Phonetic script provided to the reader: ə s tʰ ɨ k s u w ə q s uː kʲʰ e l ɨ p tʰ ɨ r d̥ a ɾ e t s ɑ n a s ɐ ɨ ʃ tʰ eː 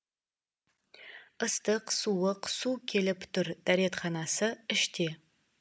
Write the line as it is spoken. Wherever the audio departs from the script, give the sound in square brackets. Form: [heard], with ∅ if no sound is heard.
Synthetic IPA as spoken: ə s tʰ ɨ [q] s u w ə q s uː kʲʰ e l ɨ p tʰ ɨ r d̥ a ɾ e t [χ] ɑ n a s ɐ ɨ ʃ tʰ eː